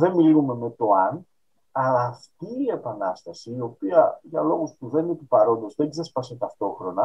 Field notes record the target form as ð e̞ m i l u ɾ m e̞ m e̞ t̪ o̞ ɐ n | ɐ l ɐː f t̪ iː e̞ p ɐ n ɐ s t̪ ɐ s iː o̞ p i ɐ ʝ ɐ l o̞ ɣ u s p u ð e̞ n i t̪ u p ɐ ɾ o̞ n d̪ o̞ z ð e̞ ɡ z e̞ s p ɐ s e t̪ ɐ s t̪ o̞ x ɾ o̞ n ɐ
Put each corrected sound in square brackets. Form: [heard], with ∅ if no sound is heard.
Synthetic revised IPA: ð e̞ m i l u [∅] m e̞ m e̞ t̪ o̞ ɐ n | ɐ l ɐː f t̪ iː e̞ p ɐ n ɐ s t̪ ɐ s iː o̞ p i ɐ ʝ ɐ l o̞ ɣ u s p u ð e̞ n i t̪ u p ɐ ɾ o̞ n d̪ o̞ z ð e̞ ɡ z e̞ s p ɐ s e t̪ ɐ [f] t̪ o̞ x ɾ o̞ n ɐ